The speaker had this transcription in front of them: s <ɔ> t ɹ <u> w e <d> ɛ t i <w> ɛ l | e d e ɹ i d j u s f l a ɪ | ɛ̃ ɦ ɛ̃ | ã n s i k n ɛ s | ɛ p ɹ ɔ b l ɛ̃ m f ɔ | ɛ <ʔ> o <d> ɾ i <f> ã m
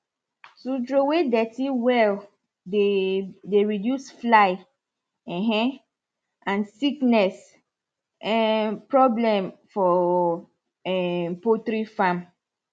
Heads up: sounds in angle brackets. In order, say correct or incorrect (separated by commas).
incorrect, incorrect, correct, correct, incorrect, incorrect, correct